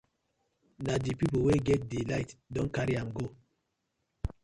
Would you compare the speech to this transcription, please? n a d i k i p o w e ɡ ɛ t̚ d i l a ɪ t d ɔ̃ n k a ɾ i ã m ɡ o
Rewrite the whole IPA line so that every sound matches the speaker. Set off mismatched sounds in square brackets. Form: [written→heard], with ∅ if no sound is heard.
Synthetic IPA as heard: n a d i [k→p] i p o w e ɡ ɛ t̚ d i l a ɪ t d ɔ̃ n k a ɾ i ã m ɡ o